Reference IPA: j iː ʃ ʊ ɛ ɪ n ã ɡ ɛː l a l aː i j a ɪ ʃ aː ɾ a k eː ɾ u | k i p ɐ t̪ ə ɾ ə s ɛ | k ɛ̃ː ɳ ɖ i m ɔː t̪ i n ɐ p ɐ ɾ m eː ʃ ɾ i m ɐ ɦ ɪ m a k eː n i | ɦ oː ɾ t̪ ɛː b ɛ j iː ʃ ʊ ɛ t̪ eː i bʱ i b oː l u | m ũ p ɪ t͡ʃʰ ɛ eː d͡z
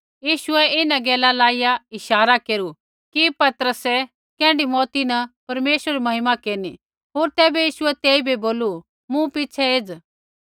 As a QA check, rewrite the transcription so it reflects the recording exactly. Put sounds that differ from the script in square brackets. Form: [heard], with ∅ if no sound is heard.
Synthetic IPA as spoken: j iː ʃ ʊ ɛ ɪ n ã ɡ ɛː l a l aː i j a ɪ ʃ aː ɾ a k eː ɾ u | k i p ɐ t̪ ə ɾ ə s ɛ | k ɛ̃ː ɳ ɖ i m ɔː t̪ i n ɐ p ɐ ɾ m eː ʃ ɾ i m ɐ ɦ ɪ m a k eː n i | ɦ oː ɾ t̪ ɛː b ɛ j iː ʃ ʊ ɛ t̪ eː i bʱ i b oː l u | m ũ p ɪ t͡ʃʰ ɛ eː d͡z